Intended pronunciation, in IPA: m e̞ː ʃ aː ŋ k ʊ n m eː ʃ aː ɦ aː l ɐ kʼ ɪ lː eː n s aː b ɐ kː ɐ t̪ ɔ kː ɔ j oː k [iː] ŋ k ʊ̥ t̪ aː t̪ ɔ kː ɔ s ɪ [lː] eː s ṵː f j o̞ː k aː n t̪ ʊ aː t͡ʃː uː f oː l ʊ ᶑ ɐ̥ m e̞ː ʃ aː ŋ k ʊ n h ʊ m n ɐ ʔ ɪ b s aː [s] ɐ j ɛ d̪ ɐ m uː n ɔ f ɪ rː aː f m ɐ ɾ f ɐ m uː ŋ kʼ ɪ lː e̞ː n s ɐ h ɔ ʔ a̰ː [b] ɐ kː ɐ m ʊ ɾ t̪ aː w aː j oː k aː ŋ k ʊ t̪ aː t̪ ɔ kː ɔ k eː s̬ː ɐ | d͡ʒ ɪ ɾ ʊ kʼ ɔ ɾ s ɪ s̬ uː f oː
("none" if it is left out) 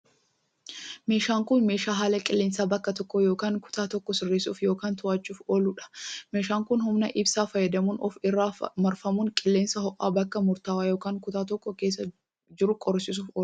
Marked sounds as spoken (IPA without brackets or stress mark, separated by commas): aː, rː, f, b